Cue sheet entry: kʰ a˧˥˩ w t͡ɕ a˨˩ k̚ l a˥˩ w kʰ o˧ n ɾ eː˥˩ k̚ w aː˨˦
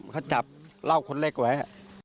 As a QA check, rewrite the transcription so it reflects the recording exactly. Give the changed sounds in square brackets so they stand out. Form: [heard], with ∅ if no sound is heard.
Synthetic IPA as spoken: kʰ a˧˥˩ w t͡ɕ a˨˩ [p̚] l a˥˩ w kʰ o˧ n [l] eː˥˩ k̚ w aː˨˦